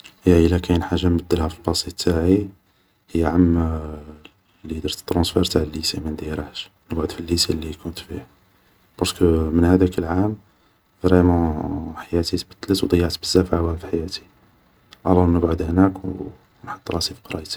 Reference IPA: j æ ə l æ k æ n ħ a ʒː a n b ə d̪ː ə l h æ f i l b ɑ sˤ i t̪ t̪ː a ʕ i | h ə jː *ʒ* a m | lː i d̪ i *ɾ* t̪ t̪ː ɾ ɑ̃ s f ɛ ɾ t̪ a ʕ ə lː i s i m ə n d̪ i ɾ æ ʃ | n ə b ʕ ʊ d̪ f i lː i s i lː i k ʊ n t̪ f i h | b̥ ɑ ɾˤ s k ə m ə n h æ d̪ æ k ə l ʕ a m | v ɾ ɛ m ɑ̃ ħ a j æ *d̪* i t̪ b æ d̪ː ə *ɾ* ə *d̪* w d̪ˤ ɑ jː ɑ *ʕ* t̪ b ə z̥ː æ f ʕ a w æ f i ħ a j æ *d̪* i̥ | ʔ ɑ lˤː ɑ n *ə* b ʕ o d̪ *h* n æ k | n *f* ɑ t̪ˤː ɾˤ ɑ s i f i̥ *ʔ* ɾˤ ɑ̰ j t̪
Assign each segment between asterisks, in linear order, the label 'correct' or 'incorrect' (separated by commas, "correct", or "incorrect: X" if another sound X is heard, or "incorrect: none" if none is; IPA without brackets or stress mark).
incorrect: ʕ, correct, incorrect: t̪, incorrect: l, incorrect: t̪, correct, incorrect: t̪, correct, correct, incorrect: ħ, incorrect: q